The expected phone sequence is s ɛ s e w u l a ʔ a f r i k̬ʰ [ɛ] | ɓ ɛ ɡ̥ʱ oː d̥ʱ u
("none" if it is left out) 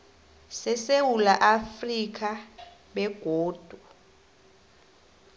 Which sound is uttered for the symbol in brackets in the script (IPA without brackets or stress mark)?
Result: a